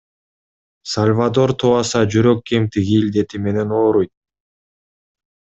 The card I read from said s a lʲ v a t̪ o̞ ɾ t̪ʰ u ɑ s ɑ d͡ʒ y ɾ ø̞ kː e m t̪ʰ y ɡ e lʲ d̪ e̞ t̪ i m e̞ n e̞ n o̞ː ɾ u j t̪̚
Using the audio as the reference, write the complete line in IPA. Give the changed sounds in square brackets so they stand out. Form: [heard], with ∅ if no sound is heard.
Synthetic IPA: s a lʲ v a [d̪] o̞ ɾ t̪ʰ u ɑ s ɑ d͡ʒ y ɾ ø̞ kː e m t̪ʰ [i] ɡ [i] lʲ d̪ e̞ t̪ i m e̞ n e̞ n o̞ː ɾ u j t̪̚

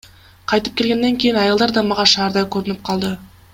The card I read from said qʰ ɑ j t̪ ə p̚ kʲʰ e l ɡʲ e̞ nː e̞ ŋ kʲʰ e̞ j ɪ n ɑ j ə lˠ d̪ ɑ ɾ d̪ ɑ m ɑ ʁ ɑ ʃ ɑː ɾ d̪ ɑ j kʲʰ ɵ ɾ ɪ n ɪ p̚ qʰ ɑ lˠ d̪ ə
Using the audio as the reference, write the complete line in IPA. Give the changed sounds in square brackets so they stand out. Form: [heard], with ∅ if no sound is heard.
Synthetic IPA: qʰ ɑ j t̪ ə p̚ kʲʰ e l ɡʲ e̞ nː e̞ ŋ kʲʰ e̞ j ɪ n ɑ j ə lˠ d̪ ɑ ɾ d̪ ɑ m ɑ ʁ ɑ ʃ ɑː ɾ d̪ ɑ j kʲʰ ɵ ɾ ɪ n ɪ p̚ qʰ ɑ lˠ d̪ ə

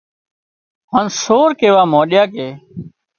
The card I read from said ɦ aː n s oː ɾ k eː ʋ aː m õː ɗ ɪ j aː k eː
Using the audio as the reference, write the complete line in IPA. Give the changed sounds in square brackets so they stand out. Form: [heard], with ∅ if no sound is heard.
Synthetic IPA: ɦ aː n s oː ɾ k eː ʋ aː m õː ɗ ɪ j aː k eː

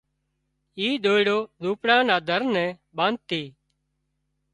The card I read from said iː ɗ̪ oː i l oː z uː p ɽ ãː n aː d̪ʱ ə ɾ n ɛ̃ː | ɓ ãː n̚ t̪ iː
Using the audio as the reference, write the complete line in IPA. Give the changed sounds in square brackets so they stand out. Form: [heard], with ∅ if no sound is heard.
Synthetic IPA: iː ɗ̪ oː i [ɽ] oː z uː p ɽ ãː n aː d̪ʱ ə ɾ n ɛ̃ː | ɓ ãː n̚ t̪ iː

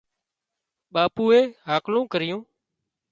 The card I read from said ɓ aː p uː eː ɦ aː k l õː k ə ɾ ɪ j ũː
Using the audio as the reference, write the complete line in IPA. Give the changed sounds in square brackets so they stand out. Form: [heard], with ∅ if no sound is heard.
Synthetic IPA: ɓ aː p uː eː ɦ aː k l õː k ə ɾ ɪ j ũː

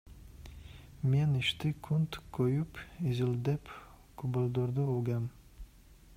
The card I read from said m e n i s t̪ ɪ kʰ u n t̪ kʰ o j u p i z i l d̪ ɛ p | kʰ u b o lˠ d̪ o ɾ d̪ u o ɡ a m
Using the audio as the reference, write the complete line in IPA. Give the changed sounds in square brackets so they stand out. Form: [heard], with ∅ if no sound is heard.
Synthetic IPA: m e n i [ʃ] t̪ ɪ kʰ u n t̪ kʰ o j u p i z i l d̪ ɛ p | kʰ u b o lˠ d̪ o ɾ d̪ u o ɡ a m

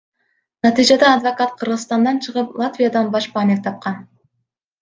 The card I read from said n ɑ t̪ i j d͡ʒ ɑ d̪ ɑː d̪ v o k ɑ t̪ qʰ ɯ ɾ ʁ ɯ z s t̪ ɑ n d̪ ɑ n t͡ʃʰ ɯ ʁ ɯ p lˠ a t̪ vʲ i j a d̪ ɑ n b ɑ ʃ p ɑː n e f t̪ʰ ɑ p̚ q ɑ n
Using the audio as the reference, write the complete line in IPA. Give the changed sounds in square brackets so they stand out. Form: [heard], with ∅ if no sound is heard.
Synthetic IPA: n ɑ t̪ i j d͡ʒ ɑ d̪ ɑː d̪ v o k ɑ t̪ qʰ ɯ ɾ ʁ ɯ z s t̪ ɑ n d̪ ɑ n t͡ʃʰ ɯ ʁ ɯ p lˠ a t̪ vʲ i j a d̪ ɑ n b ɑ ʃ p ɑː n e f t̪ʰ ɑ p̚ q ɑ n

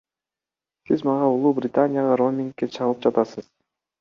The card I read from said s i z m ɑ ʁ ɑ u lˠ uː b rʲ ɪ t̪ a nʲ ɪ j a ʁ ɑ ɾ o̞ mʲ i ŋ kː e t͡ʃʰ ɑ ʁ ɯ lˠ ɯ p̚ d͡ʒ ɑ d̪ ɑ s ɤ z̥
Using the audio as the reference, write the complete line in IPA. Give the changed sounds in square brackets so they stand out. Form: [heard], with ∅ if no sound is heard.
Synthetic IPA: s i z m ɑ ʁ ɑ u lˠ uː b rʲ ɪ t̪ a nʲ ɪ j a ʁ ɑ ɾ o̞ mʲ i ŋ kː e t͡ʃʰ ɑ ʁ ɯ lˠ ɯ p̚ d͡ʒ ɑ [t̪] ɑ s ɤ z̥

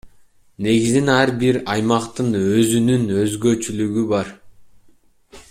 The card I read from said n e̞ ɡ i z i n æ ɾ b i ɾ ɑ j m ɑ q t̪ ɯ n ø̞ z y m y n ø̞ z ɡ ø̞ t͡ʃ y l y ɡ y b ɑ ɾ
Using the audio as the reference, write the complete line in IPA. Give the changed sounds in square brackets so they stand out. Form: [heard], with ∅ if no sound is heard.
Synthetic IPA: n e̞ ɡ i z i n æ ɾ b i ɾ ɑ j m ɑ q t̪ ɯ n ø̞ z y [n] y n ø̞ z ɡ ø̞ t͡ʃ y l y ɡ y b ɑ ɾ

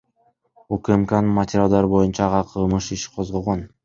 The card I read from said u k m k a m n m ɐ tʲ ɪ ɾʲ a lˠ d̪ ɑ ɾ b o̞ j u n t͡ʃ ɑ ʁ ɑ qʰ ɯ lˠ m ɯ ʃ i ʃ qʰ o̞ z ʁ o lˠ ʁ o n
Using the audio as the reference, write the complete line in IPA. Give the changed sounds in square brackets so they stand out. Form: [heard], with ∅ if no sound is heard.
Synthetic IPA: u k m k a [n] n m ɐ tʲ ɪ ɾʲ a lˠ d̪ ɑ ɾ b o̞ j u n t͡ʃ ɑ ʁ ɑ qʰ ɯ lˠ m ɯ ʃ i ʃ qʰ o̞ z ʁ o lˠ ʁ o n

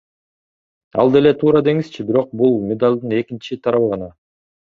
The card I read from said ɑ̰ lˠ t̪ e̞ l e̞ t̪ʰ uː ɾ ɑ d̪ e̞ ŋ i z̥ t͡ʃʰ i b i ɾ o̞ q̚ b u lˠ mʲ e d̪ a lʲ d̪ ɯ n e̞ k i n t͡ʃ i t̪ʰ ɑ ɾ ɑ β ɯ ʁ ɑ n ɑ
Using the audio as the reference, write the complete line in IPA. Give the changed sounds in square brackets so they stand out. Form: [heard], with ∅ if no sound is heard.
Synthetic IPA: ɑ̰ lˠ [d̪] e̞ l e̞ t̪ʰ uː ɾ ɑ d̪ e̞ ŋ i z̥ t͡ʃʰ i b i ɾ o̞ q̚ b u lˠ mʲ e d̪ a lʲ d̪ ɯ n e̞ k i n t͡ʃ i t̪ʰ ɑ ɾ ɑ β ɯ ʁ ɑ n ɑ

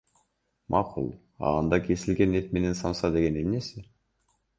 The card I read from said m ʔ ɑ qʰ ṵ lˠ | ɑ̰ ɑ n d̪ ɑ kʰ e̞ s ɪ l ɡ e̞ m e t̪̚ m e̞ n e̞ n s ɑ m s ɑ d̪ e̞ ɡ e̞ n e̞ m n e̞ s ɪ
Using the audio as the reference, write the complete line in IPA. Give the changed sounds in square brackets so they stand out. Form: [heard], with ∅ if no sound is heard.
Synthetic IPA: m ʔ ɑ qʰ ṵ lˠ | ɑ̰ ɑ n d̪ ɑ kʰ e̞ s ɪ l ɡ e̞ [n] e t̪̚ m e̞ n e̞ n s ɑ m s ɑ d̪ e̞ ɡ e̞ n e̞ m n e̞ s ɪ

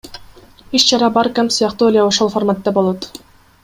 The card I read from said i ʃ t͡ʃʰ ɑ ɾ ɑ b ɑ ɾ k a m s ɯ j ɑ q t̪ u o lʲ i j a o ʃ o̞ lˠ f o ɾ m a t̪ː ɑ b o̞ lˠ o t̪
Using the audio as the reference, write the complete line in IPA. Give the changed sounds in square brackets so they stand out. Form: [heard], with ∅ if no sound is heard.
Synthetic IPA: i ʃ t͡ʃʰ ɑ ɾ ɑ b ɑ ɾ k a m s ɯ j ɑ q t̪ u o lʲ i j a o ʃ o̞ lˠ f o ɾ m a t̪ː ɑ b o̞ lˠ o t̪

